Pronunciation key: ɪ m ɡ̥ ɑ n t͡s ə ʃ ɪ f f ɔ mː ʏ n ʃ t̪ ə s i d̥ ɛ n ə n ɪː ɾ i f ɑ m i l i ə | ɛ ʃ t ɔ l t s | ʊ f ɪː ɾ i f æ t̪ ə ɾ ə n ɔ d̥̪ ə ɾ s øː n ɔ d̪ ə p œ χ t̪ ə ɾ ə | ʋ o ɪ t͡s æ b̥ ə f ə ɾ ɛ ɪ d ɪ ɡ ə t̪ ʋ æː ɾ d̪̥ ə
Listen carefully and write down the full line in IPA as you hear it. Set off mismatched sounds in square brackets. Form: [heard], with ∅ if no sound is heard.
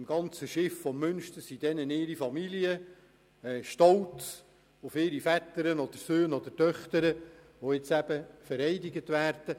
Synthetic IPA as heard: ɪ m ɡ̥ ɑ n t͡s ə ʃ ɪ f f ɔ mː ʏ n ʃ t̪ ə s i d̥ ɛ n ə n ɪː ɾ i f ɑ m i l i ə | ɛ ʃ t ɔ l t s | ʊ f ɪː ɾ i f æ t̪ ə ɾ ə n ɔ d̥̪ ə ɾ s øː n ɔ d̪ ə [t] œ χ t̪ ə ɾ ə | ʋ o ɪ t͡s æ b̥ ə f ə ɾ ɛ ɪ d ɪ ɡ ə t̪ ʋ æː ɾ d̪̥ ə